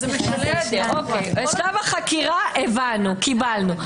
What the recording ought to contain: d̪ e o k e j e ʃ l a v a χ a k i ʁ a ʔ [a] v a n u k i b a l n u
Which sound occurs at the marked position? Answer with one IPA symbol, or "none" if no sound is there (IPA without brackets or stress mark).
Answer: e